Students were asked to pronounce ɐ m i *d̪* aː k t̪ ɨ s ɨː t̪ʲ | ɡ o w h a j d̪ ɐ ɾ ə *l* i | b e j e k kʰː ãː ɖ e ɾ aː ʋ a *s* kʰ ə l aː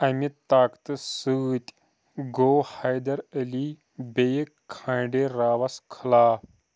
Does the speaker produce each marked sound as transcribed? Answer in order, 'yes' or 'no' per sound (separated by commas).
no, yes, yes